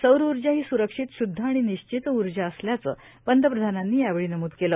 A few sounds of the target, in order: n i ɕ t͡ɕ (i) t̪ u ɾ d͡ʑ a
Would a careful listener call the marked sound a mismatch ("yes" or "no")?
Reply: no